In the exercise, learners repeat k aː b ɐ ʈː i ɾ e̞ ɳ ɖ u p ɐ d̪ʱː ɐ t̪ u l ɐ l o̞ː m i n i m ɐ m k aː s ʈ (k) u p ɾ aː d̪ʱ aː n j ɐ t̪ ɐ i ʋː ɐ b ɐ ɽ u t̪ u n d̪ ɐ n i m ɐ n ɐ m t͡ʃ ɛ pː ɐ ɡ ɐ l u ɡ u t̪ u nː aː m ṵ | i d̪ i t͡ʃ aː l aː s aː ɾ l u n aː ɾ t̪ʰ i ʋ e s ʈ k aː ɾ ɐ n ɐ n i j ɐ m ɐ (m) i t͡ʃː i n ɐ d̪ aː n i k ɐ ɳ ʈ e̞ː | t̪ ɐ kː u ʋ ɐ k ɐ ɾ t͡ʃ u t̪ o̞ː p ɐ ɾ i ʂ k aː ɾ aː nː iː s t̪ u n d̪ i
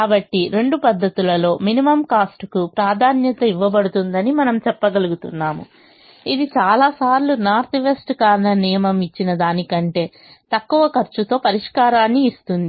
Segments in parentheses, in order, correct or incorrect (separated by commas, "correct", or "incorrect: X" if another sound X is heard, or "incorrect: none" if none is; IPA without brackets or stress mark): correct, correct